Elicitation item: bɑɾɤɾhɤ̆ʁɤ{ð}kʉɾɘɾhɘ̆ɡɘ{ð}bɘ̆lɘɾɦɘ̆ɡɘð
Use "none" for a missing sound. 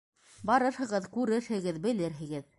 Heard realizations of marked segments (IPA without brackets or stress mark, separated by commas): ð, ð